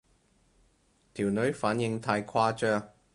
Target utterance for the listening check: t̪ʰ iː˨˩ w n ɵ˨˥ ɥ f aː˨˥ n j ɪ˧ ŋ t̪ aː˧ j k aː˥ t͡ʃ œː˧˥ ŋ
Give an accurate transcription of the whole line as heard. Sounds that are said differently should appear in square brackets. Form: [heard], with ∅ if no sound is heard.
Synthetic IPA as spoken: t̪ʰ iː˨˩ w n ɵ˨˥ ɥ f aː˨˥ n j ɪ˧ ŋ [t̪ʰ] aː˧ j [kʰ] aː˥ t͡ʃ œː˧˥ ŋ